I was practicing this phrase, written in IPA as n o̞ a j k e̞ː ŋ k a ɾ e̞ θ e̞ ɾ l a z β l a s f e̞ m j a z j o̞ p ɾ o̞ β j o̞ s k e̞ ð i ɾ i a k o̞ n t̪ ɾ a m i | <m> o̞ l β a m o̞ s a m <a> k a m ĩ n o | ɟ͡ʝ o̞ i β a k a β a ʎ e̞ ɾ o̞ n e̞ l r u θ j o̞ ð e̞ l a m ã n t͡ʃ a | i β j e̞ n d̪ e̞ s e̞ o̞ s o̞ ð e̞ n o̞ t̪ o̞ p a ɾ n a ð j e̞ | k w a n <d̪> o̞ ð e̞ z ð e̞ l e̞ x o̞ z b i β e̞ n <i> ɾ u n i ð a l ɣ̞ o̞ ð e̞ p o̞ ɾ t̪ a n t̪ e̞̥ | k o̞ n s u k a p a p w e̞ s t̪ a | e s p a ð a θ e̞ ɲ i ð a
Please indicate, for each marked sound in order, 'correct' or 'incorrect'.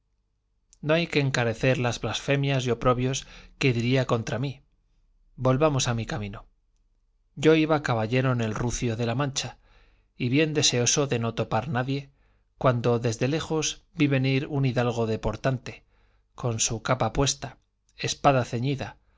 incorrect, incorrect, correct, correct

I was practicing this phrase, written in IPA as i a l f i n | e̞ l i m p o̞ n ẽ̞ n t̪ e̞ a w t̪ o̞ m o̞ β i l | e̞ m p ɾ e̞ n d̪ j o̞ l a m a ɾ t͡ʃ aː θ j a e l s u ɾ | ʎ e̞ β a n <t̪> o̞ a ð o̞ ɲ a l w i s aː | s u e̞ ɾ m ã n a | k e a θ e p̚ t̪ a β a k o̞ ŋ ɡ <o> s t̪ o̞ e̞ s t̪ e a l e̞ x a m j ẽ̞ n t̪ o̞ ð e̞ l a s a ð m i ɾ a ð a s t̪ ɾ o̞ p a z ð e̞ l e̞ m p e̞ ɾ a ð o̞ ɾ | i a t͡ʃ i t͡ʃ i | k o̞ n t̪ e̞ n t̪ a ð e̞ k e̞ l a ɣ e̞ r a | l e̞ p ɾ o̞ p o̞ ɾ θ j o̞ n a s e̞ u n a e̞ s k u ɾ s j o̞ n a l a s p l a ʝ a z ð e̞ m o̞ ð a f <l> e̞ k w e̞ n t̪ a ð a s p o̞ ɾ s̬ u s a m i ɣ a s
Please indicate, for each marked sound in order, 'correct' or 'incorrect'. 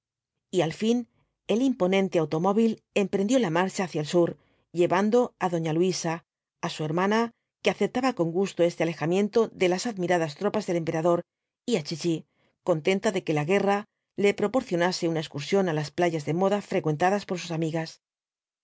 incorrect, incorrect, incorrect

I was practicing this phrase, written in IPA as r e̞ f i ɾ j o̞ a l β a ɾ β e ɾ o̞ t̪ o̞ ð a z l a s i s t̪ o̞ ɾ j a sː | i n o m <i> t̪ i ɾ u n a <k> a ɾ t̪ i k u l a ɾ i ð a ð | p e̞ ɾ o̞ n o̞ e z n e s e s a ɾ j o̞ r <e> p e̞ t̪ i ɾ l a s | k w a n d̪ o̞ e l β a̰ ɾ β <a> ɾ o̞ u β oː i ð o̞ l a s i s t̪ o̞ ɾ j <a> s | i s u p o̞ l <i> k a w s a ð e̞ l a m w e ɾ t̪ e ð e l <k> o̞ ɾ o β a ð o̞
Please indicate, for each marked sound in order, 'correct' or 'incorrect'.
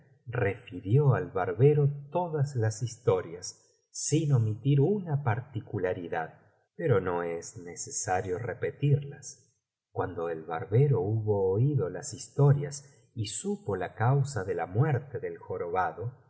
correct, incorrect, correct, incorrect, correct, incorrect, incorrect

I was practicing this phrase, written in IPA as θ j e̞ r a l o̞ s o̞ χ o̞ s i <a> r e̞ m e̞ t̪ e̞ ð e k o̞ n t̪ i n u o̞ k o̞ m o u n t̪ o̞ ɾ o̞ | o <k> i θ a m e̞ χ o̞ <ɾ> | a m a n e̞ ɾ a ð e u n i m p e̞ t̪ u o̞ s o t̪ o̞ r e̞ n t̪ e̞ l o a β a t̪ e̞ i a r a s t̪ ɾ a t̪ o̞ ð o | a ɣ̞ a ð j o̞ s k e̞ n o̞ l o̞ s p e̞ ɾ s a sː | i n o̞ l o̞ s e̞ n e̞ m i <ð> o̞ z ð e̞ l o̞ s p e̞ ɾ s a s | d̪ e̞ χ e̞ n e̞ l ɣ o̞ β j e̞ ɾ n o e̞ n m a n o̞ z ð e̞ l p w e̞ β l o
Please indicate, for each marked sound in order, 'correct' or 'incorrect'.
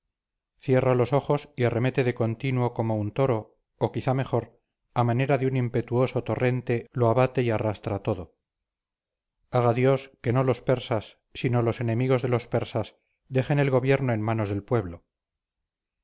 correct, correct, correct, incorrect

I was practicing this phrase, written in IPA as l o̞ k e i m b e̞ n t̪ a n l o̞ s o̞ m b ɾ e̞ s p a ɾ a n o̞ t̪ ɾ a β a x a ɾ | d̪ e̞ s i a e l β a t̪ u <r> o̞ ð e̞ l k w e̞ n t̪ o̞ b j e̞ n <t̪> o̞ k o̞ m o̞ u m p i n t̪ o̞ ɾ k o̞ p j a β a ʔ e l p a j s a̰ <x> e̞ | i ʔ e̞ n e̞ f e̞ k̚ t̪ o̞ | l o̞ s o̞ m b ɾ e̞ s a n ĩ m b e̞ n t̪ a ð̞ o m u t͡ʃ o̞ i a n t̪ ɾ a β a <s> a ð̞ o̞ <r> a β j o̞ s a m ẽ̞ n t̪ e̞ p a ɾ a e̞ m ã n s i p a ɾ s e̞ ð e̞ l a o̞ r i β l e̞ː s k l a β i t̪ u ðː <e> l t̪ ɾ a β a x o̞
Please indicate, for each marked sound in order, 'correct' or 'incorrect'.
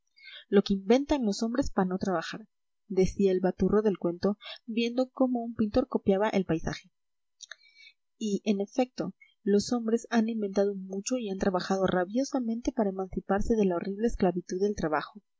correct, incorrect, correct, incorrect, correct, correct

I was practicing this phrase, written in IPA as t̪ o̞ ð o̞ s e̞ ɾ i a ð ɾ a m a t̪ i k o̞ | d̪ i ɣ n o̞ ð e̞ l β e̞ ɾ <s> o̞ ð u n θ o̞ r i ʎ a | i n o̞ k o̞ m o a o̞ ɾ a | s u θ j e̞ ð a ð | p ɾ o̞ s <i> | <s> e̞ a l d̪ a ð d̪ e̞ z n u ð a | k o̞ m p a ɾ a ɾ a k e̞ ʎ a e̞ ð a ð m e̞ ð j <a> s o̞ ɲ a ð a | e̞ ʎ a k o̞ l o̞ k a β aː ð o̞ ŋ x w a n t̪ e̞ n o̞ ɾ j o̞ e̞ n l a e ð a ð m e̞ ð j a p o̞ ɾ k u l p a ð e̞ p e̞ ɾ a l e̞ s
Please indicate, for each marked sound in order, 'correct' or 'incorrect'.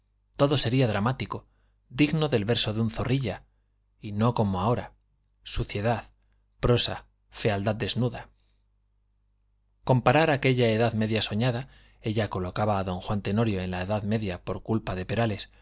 correct, incorrect, incorrect, correct

